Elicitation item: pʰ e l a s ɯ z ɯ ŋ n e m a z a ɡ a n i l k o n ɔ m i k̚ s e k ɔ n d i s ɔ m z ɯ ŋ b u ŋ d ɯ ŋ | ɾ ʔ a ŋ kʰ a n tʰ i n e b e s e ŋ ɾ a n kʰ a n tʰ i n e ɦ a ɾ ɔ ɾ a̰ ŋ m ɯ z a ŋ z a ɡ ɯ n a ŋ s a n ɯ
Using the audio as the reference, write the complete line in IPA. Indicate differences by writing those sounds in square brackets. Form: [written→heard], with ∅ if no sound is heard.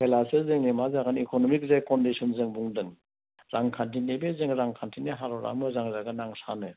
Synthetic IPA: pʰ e l a s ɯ z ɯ ŋ n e m a z a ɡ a n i [l→∅] k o n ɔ m i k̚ [s→z] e k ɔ n d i s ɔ [m→n] z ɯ ŋ b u ŋ d ɯ ŋ | ɾ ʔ a ŋ kʰ a n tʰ i n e b e [s→z] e ŋ ɾ a [n→ŋ] kʰ a n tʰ i n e ɦ a ɾ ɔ ɾ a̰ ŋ m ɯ z a ŋ z a ɡ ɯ n a ŋ s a n ɯ